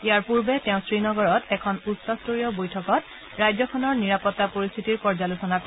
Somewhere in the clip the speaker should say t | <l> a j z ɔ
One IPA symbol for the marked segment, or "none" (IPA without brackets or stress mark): ɹ